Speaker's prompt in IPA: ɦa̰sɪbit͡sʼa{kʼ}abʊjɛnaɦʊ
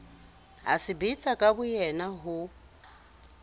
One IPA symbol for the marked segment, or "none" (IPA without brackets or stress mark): kʼ